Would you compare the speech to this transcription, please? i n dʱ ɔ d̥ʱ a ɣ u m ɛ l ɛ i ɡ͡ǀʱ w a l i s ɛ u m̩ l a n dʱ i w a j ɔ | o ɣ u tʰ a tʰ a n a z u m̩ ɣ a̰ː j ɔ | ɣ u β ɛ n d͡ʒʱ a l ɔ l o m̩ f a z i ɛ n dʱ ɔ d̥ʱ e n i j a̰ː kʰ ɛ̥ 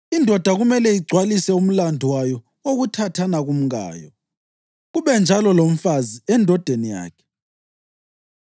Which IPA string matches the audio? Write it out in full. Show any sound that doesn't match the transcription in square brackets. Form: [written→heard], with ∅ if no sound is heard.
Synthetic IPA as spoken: i n dʱ ɔ d̥ʱ a ɣ u m ɛ l ɛ i ɡ͡ǀʱ w a l i s ɛ u m̩ l a n dʱ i w a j ɔ | o ɣ u tʰ a tʰ a n a [z→ɣ] u m̩ ɣ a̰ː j ɔ | ɣ u β ɛ n d͡ʒʱ a l ɔ l o m̩ f a z i ɛ n dʱ ɔ d̥ʱ e n i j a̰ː kʰ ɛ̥